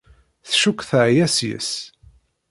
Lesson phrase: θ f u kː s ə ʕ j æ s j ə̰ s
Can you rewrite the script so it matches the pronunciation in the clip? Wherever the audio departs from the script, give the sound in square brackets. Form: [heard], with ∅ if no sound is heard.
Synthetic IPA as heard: θ [ʃ] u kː [θ] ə ʕ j æ s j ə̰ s